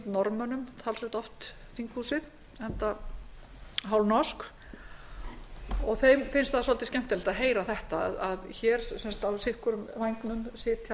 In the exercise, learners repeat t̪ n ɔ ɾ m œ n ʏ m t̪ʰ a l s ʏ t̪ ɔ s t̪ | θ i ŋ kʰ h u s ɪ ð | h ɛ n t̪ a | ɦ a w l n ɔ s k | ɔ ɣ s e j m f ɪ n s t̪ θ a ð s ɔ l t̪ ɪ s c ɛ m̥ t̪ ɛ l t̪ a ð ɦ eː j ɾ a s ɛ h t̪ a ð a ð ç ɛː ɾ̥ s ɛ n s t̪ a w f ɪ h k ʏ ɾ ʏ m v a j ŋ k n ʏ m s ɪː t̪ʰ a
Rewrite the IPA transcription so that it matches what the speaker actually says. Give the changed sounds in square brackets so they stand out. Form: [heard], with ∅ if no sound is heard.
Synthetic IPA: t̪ n ɔ ɾ m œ n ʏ m t̪ʰ a l s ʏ t̪ ɔ [f] t̪ | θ i ŋ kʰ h u s ɪ ð | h ɛ n t̪ a | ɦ a w l n ɔ s k | ɔ ɣ [θ] e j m f ɪ n s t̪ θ a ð s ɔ l t̪ ɪ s c ɛ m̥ t̪ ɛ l t̪ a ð ɦ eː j ɾ a [θ] ɛ h t̪ a ð a ð ç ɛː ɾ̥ s ɛ n s t̪ a w [s] ɪ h k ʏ ɾ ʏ m v a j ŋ k n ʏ m s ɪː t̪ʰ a